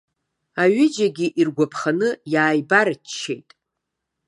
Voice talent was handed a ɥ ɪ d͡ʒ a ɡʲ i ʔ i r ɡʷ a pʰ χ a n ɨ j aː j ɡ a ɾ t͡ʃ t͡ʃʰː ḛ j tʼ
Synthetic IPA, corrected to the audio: a ɥ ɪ d͡ʒ a ɡʲ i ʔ i r ɡʷ a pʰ χ a n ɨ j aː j b a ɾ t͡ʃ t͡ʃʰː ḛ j tʼ